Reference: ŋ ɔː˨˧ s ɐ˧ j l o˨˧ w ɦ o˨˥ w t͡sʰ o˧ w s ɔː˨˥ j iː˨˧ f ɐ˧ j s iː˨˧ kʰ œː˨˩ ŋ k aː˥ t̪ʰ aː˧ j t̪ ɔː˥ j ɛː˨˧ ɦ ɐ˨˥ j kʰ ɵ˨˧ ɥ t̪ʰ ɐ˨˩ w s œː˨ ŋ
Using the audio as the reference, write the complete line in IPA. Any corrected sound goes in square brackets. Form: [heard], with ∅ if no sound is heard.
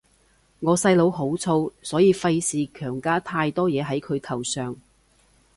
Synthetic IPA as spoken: ŋ ɔː˨˧ s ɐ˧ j l o˨˧ w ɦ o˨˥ w t͡sʰ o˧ w s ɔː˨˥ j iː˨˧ f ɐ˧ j s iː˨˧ kʰ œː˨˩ ŋ k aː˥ t̪ʰ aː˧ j t̪ ɔː˥ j ɛː˨˧ ɦ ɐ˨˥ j kʰ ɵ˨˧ ɥ t̪ʰ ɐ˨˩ w s œː˨ ŋ